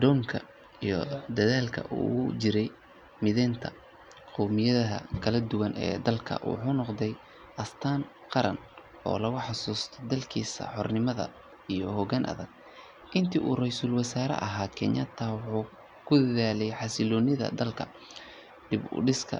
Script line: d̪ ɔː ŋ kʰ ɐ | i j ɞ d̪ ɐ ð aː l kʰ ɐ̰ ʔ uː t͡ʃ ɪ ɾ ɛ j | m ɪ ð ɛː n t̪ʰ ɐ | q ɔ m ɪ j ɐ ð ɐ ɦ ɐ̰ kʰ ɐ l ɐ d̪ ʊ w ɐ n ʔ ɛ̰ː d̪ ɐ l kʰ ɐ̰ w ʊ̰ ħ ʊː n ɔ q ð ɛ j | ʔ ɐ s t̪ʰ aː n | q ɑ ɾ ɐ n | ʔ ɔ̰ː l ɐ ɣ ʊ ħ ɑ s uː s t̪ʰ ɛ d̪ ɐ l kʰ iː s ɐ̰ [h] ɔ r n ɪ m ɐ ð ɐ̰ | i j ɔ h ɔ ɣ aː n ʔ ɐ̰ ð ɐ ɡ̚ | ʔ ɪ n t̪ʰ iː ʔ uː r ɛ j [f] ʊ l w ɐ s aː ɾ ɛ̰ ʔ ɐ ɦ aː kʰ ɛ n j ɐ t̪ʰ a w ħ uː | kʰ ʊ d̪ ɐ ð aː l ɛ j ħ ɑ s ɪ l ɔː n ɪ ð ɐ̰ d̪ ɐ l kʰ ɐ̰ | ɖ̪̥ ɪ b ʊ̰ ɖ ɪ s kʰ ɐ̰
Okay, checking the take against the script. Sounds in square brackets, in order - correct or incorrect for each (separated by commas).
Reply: incorrect, incorrect